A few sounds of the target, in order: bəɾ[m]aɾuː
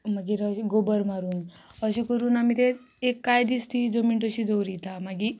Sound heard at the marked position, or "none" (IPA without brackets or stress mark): m